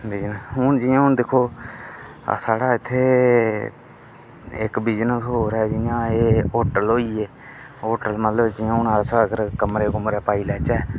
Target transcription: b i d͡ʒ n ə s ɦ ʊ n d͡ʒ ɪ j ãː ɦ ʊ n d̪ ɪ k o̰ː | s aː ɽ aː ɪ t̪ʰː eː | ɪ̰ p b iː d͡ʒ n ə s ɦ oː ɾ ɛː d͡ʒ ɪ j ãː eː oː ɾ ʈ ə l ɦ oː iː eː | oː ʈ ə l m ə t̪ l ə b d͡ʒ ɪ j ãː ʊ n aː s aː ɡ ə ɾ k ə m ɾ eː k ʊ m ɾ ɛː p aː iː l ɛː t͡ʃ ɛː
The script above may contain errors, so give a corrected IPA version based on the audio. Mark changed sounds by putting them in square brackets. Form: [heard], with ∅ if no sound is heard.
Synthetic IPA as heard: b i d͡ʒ n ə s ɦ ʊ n d͡ʒ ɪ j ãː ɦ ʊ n d̪ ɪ [kʰ] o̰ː | s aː ɽ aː ɪ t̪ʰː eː | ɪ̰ [k] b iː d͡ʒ n ə s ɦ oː ɾ ɛː d͡ʒ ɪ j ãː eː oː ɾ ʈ ə l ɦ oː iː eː | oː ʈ ə l m ə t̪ l ə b d͡ʒ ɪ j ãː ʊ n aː s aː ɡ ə ɾ k ə m ɾ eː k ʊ m ɾ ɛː p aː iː l ɛː t͡ʃ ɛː

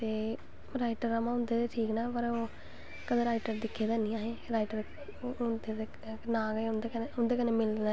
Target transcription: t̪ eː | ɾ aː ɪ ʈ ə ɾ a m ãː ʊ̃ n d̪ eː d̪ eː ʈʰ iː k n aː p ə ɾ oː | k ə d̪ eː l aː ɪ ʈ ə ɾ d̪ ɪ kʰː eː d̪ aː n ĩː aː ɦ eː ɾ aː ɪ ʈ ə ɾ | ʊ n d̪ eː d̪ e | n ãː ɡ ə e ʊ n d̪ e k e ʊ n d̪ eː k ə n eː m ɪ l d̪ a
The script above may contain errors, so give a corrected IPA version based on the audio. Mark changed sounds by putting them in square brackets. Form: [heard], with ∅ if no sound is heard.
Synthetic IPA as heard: t̪ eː | ɾ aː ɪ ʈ ə ɾ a m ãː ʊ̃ n d̪ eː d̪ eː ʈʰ iː k n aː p ə ɾ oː | k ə d̪ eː [ɾ] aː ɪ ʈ ə ɾ d̪ ɪ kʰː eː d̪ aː n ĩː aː ɦ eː ɾ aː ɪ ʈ ə ɾ | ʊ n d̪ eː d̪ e | n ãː ɡ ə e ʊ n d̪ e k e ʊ n d̪ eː k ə n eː m ɪ l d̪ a

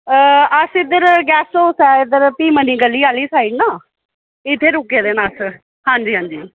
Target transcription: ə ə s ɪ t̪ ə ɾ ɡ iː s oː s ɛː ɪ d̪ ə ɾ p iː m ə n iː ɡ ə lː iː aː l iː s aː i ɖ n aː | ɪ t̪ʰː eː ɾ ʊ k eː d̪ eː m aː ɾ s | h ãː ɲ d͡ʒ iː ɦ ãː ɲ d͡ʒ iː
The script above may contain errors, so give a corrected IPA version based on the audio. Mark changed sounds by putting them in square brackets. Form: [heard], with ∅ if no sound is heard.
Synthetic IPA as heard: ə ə s ɪ [d̪] ə ɾ ɡ [ɛː] s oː s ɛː ɪ d̪ ə ɾ p iː m ə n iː ɡ ə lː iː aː l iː s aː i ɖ n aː | ɪ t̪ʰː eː ɾ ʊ k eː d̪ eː [n] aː [∅] s | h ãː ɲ d͡ʒ iː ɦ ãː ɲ d͡ʒ iː

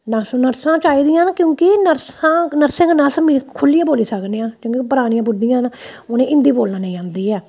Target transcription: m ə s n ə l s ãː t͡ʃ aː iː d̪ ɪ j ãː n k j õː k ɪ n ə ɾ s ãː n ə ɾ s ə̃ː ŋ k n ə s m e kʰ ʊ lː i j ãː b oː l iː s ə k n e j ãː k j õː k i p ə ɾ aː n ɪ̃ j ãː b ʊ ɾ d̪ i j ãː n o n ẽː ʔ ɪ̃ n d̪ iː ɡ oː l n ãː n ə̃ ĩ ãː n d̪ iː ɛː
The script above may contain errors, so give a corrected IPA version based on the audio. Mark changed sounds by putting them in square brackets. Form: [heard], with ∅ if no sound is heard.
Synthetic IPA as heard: [n] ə s n ə [ɾ] s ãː t͡ʃ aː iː d̪ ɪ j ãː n k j õː k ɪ n ə ɾ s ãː n ə ɾ s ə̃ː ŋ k n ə s m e kʰ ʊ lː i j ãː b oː l iː s ə k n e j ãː k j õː k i p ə ɾ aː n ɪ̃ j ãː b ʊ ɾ d̪ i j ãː n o n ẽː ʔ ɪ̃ n d̪ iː [b] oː l n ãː n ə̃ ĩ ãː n d̪ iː ɛː

